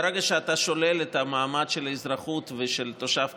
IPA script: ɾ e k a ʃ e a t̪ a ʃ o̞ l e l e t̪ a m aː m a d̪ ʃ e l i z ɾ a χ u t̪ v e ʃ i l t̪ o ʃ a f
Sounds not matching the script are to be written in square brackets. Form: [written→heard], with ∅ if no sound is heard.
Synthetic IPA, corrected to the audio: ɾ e [k→ɡ] a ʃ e a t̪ a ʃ o̞ l e l e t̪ a m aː m a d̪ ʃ e l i z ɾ a χ u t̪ v e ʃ [i→e] l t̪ o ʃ a f